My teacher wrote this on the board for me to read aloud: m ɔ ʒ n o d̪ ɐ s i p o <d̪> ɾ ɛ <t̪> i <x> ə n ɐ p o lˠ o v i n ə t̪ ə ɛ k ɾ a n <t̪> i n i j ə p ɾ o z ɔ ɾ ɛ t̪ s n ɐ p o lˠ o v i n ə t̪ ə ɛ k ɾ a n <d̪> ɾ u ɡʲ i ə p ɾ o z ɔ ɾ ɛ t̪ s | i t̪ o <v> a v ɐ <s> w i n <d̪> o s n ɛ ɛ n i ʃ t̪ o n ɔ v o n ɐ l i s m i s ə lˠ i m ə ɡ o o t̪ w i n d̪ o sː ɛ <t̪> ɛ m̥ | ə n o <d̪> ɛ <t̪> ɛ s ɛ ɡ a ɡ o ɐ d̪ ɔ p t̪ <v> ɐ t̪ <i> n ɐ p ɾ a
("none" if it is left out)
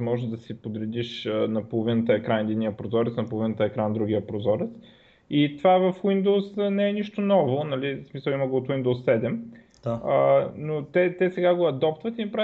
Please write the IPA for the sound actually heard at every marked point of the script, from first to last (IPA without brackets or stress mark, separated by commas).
d̪, d̪, ʃ, d̪, d̪, v, f, d̪, d̪, t̪, t̪, v, i